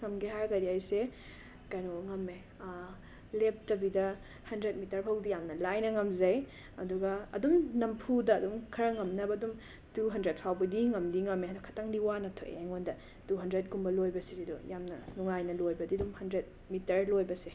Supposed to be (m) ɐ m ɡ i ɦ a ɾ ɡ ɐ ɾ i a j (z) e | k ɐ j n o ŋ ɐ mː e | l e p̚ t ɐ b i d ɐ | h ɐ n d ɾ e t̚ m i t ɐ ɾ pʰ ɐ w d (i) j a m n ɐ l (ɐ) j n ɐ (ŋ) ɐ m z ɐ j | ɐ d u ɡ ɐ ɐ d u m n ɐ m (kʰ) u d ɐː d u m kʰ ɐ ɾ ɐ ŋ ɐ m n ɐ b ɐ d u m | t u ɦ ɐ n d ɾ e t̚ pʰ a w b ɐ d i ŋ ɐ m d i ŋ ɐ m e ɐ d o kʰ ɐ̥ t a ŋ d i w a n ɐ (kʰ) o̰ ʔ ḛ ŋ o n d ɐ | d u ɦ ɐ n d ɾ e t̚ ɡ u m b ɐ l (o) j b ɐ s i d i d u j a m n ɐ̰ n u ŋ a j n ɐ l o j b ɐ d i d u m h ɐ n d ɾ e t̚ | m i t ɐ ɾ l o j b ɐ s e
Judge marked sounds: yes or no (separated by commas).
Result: no, no, yes, no, yes, no, no, yes